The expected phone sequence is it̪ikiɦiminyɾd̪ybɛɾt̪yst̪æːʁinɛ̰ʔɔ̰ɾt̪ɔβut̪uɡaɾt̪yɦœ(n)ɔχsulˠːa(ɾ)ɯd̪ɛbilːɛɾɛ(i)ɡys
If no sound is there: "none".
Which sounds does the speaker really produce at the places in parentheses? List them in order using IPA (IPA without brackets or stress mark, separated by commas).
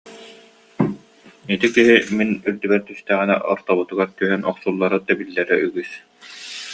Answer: n, ɾ, y